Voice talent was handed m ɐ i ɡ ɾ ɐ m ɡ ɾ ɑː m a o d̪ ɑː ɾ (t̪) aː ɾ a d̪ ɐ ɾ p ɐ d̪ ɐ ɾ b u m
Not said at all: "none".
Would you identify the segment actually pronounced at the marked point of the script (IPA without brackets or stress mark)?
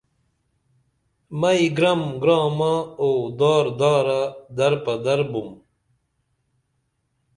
d̪